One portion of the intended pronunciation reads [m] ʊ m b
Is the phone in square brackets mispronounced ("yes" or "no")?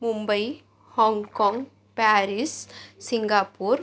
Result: no